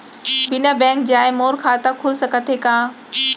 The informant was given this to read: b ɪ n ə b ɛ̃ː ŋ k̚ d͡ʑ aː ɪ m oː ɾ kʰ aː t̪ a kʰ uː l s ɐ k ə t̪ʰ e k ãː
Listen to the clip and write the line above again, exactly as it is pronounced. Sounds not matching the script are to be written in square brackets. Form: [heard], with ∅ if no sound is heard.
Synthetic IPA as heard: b ɪ n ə b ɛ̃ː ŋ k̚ d͡ʑ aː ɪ m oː ɾ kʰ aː t̪ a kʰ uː l s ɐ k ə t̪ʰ e k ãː

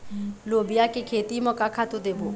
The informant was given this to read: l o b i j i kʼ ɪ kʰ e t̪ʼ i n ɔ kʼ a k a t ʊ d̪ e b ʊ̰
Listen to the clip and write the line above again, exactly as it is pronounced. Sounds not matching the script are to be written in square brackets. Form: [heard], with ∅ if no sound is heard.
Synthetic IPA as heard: l o b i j [a] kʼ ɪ kʰ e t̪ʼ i [m] ɔ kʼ a [kʰ] a t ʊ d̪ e b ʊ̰

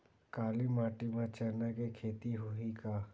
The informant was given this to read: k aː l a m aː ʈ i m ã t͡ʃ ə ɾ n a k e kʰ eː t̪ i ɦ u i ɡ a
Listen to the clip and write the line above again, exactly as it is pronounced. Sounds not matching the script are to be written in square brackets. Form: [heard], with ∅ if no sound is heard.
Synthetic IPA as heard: k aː l [i] m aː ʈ i m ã t͡ʃ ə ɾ n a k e kʰ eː t̪ i ɦ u i [k] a

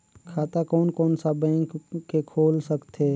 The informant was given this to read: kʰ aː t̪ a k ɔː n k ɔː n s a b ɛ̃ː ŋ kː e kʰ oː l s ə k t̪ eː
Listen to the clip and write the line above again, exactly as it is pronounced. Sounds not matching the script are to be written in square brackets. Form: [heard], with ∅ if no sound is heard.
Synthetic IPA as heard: kʰ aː t̪ a k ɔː n k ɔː n s a b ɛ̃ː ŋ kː e kʰ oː l s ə k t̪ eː

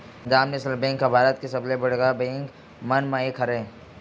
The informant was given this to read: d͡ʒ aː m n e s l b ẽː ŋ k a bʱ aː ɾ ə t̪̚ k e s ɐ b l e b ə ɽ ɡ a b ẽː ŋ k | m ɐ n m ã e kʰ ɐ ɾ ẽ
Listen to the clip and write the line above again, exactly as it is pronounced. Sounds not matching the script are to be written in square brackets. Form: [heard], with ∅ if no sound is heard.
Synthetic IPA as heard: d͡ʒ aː m n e s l b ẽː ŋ k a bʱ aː ɾ ə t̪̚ k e s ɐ b l e b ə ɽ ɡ a b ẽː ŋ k | m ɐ n m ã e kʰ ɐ ɾ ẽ

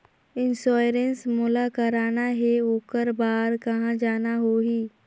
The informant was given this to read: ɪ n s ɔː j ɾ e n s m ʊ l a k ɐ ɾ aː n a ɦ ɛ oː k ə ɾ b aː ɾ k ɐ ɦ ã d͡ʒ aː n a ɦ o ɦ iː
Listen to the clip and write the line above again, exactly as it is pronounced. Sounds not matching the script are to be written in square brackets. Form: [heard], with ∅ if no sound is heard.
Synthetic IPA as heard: ɪ n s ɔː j ɾ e n s m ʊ l a k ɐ ɾ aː n a ɦ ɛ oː k ə ɾ b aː ɾ k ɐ ɦ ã d͡ʒ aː n a ɦ o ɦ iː

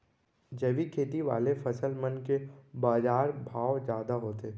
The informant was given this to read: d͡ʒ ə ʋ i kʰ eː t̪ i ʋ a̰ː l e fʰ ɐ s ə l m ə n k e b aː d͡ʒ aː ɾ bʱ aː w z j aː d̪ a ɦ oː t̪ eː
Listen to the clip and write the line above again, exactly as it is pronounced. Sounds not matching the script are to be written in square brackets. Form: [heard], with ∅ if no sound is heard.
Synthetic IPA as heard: d͡ʒ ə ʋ i kʰ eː t̪ i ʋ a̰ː l e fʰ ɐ s ə l m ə n k e b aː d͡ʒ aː ɾ bʱ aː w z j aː d̪ a ɦ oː t̪ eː

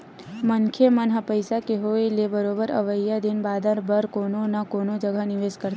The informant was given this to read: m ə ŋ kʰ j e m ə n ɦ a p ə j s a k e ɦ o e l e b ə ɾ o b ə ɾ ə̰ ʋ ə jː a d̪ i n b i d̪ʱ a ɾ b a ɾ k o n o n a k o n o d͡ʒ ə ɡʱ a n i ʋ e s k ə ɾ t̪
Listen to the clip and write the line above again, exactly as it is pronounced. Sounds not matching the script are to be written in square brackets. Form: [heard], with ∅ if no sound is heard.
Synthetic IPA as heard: m ə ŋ kʰ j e m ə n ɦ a p ə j s a k e ɦ o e l e b ə ɾ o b ə ɾ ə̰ ʋ ə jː a d̪ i n b [a] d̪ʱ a ɾ b [ə] ɾ k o n o n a k o n o d͡ʒ ə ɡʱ a n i ʋ e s k ə ɾ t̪

